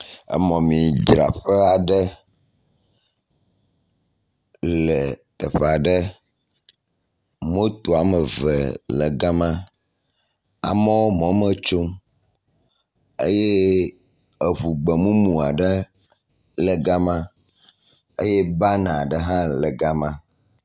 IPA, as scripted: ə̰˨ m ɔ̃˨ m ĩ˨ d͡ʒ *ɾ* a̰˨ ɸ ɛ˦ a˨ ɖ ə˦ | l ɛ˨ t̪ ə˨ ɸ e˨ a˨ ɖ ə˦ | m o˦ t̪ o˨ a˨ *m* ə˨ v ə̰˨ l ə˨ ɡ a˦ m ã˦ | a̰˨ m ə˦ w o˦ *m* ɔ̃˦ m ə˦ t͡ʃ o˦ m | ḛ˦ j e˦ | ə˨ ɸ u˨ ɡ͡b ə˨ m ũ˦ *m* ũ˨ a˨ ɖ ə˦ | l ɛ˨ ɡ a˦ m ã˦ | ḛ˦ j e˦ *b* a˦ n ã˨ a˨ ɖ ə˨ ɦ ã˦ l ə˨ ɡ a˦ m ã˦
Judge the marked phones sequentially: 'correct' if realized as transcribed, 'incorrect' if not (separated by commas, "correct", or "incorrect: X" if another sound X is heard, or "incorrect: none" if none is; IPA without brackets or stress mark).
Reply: correct, correct, correct, correct, correct